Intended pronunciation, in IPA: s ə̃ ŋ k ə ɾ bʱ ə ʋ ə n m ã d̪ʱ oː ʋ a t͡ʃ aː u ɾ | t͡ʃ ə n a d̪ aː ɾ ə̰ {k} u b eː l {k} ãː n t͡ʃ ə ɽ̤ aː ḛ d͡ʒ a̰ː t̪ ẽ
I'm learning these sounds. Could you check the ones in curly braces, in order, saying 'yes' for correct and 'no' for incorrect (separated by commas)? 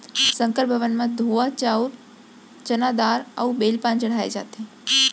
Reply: no, no